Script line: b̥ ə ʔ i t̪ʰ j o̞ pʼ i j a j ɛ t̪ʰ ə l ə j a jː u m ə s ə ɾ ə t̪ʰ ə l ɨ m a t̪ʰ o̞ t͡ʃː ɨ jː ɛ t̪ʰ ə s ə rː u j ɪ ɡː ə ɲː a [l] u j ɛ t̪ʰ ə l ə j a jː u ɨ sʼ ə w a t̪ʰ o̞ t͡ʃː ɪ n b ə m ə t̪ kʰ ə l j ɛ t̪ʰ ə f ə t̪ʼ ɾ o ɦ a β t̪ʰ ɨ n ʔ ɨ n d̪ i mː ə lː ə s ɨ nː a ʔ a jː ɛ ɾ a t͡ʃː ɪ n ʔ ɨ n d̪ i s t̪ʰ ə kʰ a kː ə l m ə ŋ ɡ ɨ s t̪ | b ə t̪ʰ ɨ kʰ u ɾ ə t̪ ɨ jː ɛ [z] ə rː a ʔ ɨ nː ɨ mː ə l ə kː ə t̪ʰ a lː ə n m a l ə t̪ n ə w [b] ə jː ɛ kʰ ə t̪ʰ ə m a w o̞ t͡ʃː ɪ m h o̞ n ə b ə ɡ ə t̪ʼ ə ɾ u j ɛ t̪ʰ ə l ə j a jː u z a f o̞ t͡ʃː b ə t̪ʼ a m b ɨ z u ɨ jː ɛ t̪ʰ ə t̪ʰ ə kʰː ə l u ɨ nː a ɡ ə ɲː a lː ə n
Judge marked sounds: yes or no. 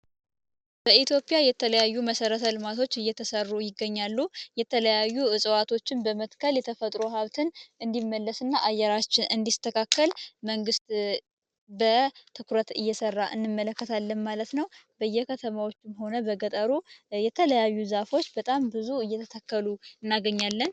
no, no, yes

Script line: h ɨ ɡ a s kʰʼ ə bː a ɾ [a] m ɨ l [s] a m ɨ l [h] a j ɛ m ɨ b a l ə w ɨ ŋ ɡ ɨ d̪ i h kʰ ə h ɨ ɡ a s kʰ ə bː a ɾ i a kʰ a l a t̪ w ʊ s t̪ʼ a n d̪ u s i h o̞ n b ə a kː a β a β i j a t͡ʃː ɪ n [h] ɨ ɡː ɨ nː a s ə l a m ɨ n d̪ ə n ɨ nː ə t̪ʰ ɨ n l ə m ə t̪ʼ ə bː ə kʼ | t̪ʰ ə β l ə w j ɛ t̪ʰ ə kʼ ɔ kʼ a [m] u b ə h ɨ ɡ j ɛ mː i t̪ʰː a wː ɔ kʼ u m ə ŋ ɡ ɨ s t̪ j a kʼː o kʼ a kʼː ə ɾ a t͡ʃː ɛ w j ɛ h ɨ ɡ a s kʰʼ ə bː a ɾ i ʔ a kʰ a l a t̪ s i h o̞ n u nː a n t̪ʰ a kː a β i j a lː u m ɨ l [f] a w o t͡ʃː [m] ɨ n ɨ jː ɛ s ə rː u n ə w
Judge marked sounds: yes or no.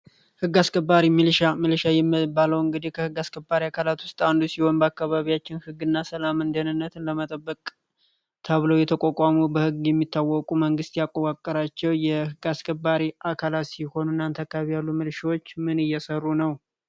no, no, no, yes, yes, no, yes

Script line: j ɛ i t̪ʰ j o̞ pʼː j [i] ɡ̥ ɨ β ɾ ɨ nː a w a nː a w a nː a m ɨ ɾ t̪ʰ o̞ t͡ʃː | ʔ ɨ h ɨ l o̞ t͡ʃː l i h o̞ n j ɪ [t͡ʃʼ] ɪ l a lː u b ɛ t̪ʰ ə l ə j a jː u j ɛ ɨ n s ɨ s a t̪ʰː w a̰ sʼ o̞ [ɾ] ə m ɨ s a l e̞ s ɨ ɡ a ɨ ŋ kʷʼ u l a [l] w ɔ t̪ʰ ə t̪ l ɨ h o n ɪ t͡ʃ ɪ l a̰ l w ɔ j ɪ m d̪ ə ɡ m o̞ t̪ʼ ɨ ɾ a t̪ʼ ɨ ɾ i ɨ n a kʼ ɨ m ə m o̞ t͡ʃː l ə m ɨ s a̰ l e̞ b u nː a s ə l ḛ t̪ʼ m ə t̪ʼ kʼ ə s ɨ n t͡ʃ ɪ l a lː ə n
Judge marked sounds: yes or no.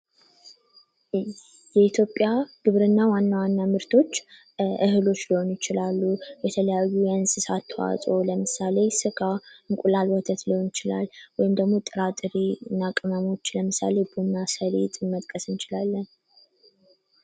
no, no, no, yes

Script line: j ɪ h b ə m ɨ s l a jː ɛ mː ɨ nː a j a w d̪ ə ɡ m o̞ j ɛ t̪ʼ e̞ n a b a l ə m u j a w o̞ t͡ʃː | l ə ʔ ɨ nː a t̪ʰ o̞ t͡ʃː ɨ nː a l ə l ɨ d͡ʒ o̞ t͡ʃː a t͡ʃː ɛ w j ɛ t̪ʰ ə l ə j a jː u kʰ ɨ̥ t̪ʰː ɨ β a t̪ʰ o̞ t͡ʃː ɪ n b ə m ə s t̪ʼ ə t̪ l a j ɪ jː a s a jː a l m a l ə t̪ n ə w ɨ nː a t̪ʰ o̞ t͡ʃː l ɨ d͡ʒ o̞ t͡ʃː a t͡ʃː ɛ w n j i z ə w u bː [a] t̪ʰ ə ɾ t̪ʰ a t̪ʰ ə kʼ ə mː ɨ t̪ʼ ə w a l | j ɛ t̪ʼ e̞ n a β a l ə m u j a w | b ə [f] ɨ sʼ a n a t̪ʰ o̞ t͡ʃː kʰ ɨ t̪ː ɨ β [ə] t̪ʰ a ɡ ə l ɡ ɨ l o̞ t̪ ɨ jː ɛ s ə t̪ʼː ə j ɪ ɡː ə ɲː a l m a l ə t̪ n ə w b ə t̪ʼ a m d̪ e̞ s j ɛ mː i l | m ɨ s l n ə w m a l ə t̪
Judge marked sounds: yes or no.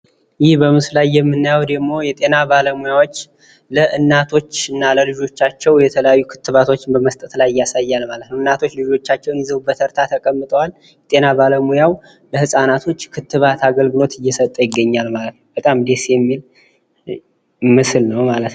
no, no, no

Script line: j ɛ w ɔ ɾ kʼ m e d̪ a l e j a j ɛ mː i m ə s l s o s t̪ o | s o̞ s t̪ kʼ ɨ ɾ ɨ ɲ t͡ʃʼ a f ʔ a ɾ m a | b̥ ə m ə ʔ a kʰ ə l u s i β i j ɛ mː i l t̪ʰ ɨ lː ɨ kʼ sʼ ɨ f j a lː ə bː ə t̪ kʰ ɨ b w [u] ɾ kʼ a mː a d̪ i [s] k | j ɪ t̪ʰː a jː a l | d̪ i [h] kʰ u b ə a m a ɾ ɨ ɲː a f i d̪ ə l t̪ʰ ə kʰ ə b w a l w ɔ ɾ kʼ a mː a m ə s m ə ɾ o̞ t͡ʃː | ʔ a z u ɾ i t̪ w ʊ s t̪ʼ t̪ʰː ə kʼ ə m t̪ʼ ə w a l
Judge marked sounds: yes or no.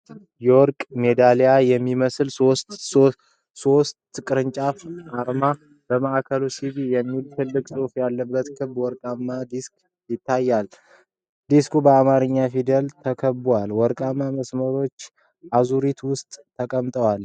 no, yes, no

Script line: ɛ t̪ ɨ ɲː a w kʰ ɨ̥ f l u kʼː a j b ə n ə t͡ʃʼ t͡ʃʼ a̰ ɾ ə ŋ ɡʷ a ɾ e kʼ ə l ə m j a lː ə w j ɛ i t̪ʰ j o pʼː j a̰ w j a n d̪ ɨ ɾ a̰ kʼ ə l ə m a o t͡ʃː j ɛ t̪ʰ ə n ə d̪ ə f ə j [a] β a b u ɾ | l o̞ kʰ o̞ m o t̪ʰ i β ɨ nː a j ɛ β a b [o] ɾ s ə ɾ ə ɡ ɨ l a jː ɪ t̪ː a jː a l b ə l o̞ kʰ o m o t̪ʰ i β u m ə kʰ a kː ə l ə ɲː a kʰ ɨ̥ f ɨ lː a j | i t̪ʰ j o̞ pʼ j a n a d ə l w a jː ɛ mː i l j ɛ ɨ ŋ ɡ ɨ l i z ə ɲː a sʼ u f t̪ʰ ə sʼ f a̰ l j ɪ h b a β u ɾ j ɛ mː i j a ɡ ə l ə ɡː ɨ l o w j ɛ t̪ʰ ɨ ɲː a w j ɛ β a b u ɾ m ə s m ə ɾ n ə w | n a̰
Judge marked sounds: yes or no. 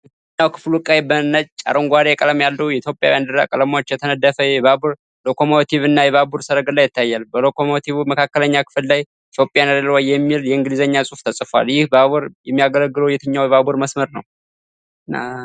no, no

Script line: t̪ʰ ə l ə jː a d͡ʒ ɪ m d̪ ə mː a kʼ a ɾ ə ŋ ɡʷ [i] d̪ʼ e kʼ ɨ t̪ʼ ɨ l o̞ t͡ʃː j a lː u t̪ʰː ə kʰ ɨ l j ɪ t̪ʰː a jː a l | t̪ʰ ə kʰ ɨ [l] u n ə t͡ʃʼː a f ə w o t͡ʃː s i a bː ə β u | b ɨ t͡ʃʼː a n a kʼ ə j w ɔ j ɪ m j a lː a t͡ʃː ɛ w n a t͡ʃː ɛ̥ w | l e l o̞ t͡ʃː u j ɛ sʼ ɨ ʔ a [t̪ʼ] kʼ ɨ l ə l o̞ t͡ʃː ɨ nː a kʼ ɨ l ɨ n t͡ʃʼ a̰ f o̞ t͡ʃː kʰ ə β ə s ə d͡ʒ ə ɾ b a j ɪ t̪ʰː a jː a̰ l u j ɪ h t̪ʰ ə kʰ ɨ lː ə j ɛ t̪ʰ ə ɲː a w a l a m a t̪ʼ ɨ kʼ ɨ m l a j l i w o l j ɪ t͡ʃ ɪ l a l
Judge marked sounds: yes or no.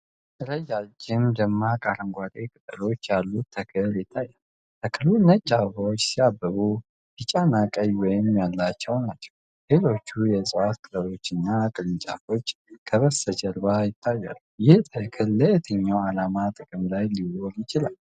no, yes, no

